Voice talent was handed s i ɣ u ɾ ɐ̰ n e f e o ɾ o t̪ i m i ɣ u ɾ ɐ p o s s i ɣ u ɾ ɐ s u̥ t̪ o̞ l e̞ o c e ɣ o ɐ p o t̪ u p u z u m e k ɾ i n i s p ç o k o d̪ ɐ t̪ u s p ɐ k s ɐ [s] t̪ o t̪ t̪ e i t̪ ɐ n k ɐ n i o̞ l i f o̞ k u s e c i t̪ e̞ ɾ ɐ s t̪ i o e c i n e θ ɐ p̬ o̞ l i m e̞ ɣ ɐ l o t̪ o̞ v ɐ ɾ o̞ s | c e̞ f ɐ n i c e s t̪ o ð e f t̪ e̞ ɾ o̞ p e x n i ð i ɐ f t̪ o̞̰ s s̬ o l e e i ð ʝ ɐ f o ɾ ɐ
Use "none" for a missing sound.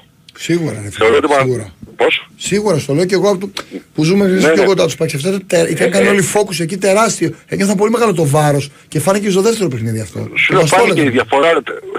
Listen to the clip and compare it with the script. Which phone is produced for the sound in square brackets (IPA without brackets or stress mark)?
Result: f